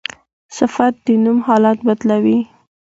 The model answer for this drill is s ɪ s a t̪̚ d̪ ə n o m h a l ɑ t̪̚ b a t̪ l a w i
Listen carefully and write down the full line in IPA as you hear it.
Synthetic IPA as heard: s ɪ f a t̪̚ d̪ ə n u m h ɑ l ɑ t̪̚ b a d̪ l a w i